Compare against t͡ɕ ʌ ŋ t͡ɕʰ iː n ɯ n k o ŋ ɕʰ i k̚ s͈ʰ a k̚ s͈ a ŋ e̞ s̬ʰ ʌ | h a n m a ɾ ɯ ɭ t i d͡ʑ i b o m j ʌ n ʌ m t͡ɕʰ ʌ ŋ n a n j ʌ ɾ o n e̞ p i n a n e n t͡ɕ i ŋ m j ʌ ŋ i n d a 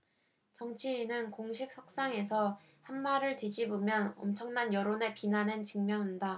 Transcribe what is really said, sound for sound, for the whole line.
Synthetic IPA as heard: t͡ɕ ʌ ŋ t͡ɕʰ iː n ɯ n k o ŋ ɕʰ i k̚ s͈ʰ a k̚ s͈ a ŋ e̞ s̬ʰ ʌ | h a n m a ɾ ɯ ɭ t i d͡ʑ i b o m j ʌ n ʌ m t͡ɕʰ ʌ ŋ n a n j ʌ ɾ o n e̞ p i n a n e n t͡ɕ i ŋ m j ʌ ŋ i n d a

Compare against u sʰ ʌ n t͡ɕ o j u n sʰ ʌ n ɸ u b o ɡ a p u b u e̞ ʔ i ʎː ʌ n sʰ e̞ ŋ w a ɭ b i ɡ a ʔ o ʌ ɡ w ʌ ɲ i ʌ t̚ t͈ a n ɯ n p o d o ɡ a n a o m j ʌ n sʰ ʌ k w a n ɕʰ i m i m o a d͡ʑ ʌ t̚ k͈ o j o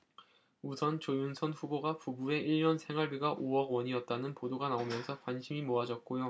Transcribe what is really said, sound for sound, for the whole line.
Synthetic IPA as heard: u sʰ ʌ n t͡ɕ o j u n sʰ ʌ n ɸ u b o ɡ a p u b u e̞ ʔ i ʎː ʌ n sʰ e̞ ŋ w a ɭ b i ɡ a ʔ o ʌ ɡ w ʌ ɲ i ʌ t̚ t͈ a n ɯ n p o d o ɡ a n a o m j ʌ n sʰ ʌ k w a n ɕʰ i m i m o a d͡ʑ ʌ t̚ k͈ o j o

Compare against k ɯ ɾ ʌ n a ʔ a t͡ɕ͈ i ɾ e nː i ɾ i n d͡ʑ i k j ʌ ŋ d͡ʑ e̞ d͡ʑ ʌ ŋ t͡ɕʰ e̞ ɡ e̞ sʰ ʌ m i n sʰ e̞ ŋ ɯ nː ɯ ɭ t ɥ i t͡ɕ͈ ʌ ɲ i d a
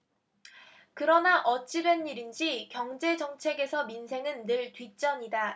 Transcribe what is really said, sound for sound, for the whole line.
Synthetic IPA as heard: k ɯ ɾ ʌ n a ʔ ʌ t͡ɕ͈ i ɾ e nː i ɾ i n d͡ʑ i k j ʌ ŋ d͡ʑ e̞ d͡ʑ ʌ ŋ t͡ɕʰ e̞ ɡ e̞ sʰ ʌ m i n sʰ e̞ ŋ ɯ nː ɯ ɭ t ɥ i t͡ɕ͈ ʌ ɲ i d a

